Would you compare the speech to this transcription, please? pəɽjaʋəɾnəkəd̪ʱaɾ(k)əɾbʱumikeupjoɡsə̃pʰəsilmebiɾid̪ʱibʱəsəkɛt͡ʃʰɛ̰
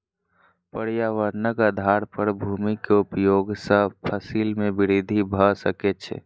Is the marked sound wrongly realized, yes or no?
yes